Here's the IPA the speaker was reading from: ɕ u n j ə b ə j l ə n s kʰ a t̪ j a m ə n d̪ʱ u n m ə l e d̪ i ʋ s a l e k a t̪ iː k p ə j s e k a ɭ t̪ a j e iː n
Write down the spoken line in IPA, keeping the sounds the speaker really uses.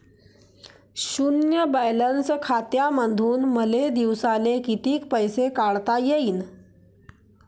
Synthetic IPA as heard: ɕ u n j ə b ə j l ə n s kʰ a t̪ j a m ə n d̪ʱ uː n m ə l e d̪ i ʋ s a l e k i t̪ iː k p ə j s e k a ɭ t̪ a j e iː n